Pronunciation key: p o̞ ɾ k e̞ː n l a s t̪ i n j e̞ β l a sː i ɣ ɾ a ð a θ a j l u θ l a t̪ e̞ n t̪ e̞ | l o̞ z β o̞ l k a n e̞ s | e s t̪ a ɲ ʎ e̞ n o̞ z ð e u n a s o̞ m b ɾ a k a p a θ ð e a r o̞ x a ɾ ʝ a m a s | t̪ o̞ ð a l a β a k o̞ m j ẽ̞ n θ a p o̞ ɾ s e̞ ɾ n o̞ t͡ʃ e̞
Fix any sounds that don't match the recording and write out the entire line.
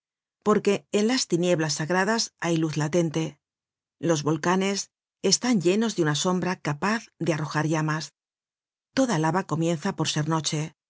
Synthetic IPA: p o̞ ɾ k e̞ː n l a s t̪ i n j e̞ β l a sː a ɣ ɾ a ð a s a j l u θ l a t̪ e̞ n t̪ e̞ | l o̞ z β o̞ l k a n e̞ s | e s t̪ a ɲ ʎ e̞ n o̞ z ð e u n a s o̞ m b ɾ a k a p a θ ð e a r o̞ x a ɾ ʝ a m a s | t̪ o̞ ð a l a β a k o̞ m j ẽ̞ n θ a p o̞ ɾ s e̞ ɾ n o̞ t͡ʃ e̞